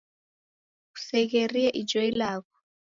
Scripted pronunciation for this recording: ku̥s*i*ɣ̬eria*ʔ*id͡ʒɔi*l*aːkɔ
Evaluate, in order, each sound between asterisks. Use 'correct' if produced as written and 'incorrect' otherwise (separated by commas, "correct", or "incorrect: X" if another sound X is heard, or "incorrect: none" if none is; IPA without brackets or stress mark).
incorrect: ɛ, correct, correct